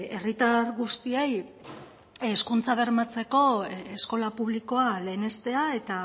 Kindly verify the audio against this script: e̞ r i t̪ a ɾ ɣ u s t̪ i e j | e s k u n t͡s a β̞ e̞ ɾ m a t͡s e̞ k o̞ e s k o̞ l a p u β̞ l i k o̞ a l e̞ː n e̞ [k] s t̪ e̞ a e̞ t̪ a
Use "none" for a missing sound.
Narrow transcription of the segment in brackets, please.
none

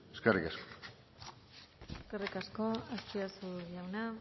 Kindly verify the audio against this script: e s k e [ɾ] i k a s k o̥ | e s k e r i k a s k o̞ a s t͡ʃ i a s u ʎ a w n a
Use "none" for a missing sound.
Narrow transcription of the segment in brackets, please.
r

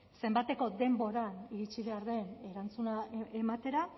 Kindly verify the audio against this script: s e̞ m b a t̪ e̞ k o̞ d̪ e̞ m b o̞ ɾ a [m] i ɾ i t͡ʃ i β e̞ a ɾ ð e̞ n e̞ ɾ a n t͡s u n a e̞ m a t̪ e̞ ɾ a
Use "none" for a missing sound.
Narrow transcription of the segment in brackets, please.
n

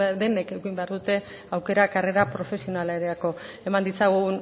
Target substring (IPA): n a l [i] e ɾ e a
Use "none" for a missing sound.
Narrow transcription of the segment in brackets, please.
a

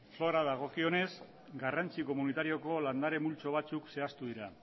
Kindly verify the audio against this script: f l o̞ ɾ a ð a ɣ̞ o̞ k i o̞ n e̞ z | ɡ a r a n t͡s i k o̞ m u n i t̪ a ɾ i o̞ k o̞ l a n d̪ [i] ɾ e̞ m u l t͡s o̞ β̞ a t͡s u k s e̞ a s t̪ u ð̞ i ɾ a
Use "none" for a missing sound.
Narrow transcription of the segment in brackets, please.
a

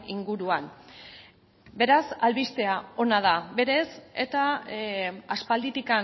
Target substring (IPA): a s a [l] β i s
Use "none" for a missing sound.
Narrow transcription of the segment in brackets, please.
l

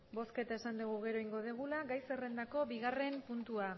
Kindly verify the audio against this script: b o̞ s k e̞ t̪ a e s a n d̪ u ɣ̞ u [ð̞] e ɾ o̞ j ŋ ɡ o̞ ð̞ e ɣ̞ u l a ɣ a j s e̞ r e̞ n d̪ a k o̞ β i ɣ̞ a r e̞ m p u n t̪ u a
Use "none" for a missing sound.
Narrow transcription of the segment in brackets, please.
ɣ̞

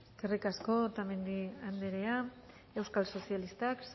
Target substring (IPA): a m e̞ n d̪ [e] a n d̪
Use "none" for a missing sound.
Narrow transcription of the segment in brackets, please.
i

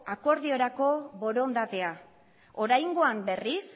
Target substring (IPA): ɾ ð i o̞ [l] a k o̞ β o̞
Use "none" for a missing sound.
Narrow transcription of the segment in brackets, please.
ɾ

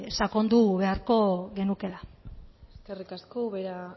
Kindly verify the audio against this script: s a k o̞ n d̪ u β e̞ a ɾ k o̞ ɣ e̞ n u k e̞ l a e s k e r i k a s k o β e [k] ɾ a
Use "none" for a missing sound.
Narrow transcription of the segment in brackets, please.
none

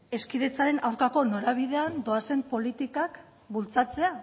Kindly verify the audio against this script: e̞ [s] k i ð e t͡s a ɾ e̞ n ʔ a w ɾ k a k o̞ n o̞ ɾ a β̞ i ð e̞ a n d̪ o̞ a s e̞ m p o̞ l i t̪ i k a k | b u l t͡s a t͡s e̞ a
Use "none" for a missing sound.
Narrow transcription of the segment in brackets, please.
s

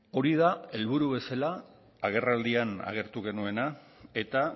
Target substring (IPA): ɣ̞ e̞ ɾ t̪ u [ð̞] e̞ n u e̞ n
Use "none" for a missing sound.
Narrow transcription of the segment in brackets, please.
ɣ̞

